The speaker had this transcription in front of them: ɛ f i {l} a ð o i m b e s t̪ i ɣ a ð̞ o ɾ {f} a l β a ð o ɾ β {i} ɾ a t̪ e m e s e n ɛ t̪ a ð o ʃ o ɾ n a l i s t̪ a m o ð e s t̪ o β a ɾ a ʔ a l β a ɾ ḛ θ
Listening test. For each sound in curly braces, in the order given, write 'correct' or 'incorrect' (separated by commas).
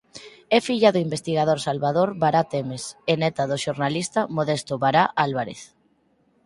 incorrect, incorrect, incorrect